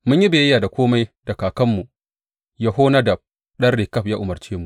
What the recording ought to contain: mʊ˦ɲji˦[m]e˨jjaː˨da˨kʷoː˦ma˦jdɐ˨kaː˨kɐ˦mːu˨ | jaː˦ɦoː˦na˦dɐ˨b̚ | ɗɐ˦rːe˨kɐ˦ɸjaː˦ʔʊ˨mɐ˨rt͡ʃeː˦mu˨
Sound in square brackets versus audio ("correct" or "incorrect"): incorrect